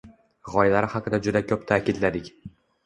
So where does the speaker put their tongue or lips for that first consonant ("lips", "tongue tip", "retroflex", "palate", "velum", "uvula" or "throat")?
uvula